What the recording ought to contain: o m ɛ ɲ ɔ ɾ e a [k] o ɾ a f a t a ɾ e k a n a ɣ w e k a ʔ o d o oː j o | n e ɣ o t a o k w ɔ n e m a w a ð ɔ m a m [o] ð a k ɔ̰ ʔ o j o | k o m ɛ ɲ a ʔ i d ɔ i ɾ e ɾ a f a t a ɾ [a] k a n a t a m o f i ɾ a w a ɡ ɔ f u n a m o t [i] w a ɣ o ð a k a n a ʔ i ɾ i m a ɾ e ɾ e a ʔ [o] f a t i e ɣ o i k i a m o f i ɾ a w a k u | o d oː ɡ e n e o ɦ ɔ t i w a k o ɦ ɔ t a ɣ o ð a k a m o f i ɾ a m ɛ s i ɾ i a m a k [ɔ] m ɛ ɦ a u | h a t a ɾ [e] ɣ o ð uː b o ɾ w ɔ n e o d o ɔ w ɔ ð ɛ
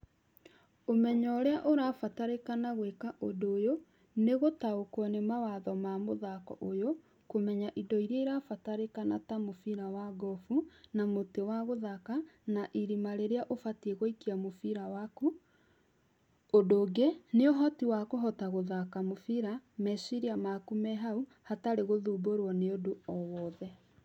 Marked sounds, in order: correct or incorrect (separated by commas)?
incorrect, correct, incorrect, incorrect, correct, incorrect, correct